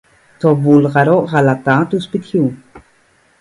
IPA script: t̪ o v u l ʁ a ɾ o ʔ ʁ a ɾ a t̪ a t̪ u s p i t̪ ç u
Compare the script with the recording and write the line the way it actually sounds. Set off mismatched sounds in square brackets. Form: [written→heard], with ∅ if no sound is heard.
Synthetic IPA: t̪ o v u l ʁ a ɾ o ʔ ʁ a [ɾ→l] a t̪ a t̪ u s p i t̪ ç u

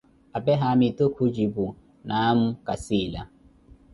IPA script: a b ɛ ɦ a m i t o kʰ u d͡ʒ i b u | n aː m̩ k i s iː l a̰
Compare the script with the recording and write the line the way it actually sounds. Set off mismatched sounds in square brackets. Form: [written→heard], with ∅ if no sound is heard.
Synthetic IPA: a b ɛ ɦ a m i t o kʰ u d͡ʒ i b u | n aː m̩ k [i→a] s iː l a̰

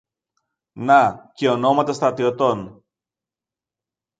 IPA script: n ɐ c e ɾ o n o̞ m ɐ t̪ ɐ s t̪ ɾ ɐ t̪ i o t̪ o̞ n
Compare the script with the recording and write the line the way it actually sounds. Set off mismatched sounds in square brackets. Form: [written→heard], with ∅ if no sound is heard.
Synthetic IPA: n ɐ c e [ɾ→∅] o n o̞ m ɐ t̪ ɐ s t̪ ɾ ɐ t̪ i o t̪ o̞ n

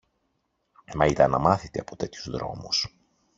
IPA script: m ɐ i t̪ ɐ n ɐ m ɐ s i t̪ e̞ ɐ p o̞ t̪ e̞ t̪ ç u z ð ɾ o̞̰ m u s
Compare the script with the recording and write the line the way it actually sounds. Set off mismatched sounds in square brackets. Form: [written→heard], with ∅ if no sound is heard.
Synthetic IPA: m ɐ i t̪ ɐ n ɐ m ɐ [s→θ] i t̪ e̞ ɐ p o̞ t̪ e̞ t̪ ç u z ð ɾ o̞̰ m u s

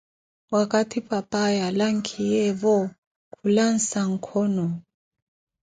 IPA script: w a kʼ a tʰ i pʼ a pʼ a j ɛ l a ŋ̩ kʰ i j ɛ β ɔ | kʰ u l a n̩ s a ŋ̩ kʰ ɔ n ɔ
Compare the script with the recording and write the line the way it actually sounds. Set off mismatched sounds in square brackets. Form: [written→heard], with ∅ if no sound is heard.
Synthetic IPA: w a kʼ a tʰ i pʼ a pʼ a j [ɛ→a] l a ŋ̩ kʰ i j ɛ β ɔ | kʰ u l a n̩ s a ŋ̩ kʰ ɔ n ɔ

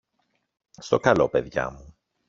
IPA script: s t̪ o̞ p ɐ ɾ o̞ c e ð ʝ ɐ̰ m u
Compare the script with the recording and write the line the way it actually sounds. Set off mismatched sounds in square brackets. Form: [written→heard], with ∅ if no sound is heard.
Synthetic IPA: s t̪ o̞ [p→k] ɐ [ɾ→l] o̞ [c→p] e ð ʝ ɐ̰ m u

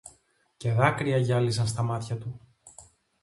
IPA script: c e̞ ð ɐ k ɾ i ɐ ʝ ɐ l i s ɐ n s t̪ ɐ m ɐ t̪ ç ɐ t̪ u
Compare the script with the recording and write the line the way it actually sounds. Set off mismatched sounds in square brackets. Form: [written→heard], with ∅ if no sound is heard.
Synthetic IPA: c e̞ ð ɐ k ɾ i ɐ ʝ ɐ l i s ɐ n s t̪ ɐ m ɐ t̪ ç ɐ t̪ u

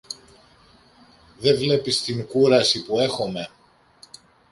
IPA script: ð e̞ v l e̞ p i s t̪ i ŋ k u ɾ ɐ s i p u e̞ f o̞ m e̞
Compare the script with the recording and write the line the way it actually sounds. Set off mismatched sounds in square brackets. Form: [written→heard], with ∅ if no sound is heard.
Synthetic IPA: ð e̞ v l e̞ p i s t̪ i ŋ k u ɾ ɐ s i p u e̞ [f→x] o̞ m e̞

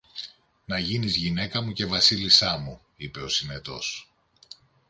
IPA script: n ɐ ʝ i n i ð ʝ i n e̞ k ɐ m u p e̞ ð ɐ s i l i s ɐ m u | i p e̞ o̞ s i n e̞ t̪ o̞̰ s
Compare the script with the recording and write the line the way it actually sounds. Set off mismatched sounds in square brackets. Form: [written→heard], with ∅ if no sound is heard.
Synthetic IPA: n ɐ ʝ i n i [ð→z] ʝ i n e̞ k ɐ m u [p→c] e̞ [ð→v] ɐ s i l i s ɐ m u | i p e̞ o̞ s i n e̞ t̪ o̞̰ s

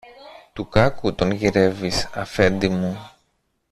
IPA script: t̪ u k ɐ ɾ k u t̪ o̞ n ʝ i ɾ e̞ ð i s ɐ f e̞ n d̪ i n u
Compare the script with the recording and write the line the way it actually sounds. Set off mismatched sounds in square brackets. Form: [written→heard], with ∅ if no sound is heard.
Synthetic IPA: t̪ u k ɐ [ɾ→∅] k u t̪ o̞ n ʝ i ɾ e̞ [ð→v] i s ɐ f e̞ n d̪ i [n→m] u

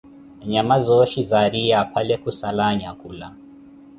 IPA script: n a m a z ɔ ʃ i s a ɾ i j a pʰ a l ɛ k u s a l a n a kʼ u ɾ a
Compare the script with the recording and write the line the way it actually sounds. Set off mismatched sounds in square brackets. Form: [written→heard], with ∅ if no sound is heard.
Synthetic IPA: [n→ɲ] a m a z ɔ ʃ i [s→z] a ɾ i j a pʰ a l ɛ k u s a l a [n→ɲ] a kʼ u [ɾ→l] a

